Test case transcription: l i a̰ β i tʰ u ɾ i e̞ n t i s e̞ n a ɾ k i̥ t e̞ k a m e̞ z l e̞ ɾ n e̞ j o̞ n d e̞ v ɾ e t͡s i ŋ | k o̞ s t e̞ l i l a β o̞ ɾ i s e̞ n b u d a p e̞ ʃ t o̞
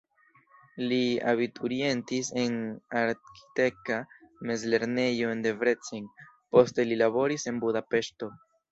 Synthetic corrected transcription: l i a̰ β i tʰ u ɾ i e̞ n t i s e̞ n a ɾ k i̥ t e̞ k a m e̞ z l e̞ ɾ n e̞ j o̞ n d e̞ v ɾ e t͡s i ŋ | p o̞ s t e̞ l i l a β o̞ ɾ i s e̞ n b u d a p e̞ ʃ t o̞

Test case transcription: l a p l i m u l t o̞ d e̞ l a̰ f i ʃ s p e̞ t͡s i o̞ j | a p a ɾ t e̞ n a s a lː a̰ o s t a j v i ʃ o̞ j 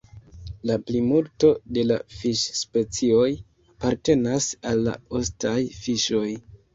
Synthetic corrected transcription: l a p l i m u l t o̞ d e̞ l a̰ f i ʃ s p e̞ t͡s i o̞ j | a p a ɾ t e̞ n a s a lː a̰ o s t a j f i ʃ o̞ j

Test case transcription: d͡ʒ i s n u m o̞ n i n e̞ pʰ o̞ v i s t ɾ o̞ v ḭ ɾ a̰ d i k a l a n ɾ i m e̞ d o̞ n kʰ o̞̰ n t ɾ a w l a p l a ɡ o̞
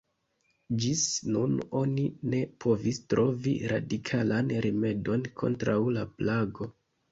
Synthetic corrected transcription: d͡ʒ i s n u n o̞ n i n e̞ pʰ o̞ v i s t ɾ o̞ v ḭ ɾ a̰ d i kʰ a l a n ɾ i m e̞ d o̞ n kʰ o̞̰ n t ɾ a w l a p l a ɡ o̞

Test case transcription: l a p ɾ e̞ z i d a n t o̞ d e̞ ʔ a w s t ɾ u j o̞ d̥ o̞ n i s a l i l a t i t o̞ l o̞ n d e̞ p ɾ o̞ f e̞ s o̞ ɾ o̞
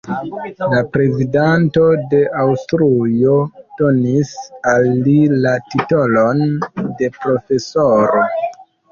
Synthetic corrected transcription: l a p ɾ e̞ z i d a n t o̞ d e̞ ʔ a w s t ɾ u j o̞ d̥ o̞ n i s a lː i l a t i t o̞ l o̞ n d e̞ p ɾ o̞ f e̞ s o̞ ɾ o̞

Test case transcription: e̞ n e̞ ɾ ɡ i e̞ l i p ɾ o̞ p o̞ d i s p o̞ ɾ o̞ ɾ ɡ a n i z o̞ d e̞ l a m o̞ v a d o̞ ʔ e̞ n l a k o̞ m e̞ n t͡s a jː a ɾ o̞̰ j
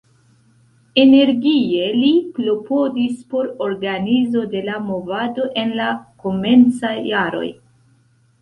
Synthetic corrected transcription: e̞ n e̞ ɾ ɡ i e̞ l i p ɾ o̞ p o̞ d i s p o̞ ɾ o̞ ɾ ɡ a n i z o̞ d e̞ l a m o̞ v a d o̞ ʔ e̞ n l a k o̞ m e̞ n t͡s a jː a ɾ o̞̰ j

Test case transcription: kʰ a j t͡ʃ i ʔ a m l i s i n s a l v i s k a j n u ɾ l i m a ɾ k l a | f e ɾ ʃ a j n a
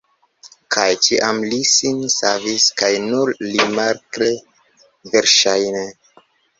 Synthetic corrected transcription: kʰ a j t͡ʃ i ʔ a m l i s i n s a v i s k a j n u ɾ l i m a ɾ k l e | v e ɾ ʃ a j n e

